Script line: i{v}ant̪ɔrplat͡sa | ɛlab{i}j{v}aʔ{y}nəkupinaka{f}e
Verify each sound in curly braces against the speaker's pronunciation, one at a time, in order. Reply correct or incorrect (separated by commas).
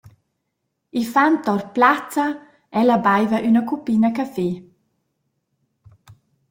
incorrect, incorrect, correct, correct, correct